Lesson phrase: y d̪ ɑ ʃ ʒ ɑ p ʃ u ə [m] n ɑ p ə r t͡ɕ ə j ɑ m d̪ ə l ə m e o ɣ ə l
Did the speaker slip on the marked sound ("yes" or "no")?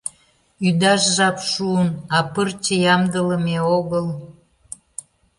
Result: yes